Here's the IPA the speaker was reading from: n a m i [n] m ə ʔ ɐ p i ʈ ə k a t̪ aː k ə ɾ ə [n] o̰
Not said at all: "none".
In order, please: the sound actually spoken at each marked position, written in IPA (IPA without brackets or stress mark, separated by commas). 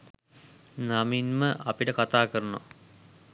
n, n